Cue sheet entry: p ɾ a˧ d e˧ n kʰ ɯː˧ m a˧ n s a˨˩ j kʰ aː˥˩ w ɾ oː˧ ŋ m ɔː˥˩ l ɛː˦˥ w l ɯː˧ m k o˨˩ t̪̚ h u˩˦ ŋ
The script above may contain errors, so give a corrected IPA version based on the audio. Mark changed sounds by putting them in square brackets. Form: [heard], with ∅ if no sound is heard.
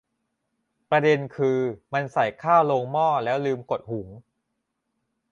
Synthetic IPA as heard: p ɾ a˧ d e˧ n kʰ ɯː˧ m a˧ n s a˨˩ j kʰ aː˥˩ w [l] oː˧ ŋ m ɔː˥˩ l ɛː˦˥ w l ɯː˧ m k o˨˩ t̪̚ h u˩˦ ŋ